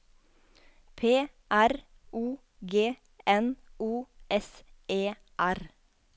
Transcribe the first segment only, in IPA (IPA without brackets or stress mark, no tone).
pʰ